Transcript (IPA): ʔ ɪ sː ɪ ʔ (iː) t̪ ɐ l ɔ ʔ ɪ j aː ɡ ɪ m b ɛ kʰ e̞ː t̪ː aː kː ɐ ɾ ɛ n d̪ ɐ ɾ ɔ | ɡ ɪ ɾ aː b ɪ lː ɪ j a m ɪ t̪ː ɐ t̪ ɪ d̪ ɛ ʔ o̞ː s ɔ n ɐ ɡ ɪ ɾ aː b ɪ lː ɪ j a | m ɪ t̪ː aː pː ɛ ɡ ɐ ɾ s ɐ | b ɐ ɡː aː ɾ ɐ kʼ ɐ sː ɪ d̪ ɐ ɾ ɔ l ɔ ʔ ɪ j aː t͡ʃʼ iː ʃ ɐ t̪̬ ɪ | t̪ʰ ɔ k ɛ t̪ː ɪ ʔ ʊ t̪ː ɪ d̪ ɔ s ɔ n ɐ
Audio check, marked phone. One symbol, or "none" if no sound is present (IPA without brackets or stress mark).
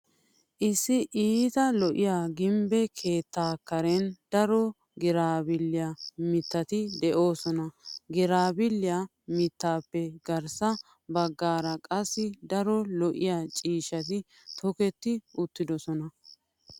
iː